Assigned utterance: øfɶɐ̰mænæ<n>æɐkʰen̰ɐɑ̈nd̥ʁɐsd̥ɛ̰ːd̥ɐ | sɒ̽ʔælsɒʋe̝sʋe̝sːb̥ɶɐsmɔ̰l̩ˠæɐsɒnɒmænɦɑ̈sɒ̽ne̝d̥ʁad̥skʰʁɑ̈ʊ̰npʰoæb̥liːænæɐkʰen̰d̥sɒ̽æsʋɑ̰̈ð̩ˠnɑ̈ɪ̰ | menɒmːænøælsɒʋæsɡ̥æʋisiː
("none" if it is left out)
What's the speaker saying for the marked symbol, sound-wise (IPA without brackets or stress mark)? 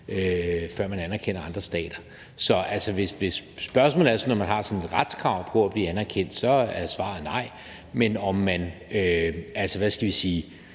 n